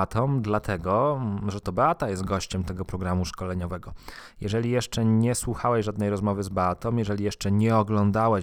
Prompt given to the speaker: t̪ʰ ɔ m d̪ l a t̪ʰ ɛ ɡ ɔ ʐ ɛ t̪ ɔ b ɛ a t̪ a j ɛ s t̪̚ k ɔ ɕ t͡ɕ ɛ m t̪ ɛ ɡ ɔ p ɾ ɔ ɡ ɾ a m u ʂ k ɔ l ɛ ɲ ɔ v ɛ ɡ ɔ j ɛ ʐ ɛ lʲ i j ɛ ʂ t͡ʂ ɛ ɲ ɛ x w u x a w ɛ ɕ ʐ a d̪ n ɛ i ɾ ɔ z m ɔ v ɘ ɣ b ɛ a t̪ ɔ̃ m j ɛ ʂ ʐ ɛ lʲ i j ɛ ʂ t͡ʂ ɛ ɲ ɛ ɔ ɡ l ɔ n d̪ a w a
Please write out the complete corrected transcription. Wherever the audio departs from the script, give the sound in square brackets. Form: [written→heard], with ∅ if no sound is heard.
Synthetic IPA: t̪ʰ ɔ m d̪ l a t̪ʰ ɛ ɡ ɔ ʐ ɛ t̪ ɔ b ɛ a t̪ a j ɛ s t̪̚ [k→ɡ] ɔ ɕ t͡ɕ ɛ m t̪ ɛ ɡ ɔ p ɾ ɔ ɡ ɾ a m u ʂ k ɔ l ɛ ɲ ɔ v ɛ ɡ ɔ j ɛ ʐ ɛ lʲ i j ɛ ʂ t͡ʂ ɛ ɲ ɛ [x→s] w u x a w ɛ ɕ ʐ a d̪ n ɛ [i→j] ɾ ɔ z m ɔ v ɘ [ɣ→z] b ɛ a t̪ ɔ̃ m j ɛ [ʂ→∅] ʐ ɛ lʲ i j ɛ ʂ t͡ʂ ɛ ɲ ɛ ɔ ɡ l ɔ n d̪ a w [a→ɛ]